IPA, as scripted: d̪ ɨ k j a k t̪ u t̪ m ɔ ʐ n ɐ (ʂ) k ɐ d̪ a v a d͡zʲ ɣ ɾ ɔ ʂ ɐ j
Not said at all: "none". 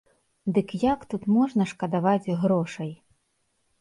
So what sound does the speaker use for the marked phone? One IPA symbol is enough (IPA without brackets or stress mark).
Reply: ʂ